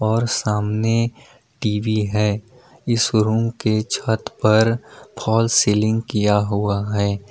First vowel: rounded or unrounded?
rounded